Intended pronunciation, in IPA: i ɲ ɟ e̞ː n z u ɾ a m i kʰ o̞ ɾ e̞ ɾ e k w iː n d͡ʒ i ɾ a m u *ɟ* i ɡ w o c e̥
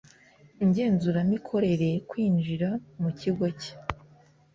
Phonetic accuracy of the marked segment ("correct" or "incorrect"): incorrect